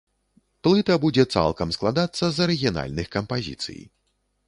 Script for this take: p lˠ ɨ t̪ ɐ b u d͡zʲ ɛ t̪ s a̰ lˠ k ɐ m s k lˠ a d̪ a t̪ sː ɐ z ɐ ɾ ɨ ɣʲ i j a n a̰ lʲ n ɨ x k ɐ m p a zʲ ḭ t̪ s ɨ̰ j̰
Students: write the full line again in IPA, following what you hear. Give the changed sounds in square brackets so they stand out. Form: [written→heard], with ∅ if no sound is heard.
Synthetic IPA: p lˠ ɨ t̪ ɐ b u d͡zʲ ɛ t̪ s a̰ lˠ k ɐ m s k lˠ a d̪ a t̪ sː ɐ z ɐ ɾ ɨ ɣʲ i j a n a̰ lʲ n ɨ x k ɐ m p a zʲ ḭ t̪ s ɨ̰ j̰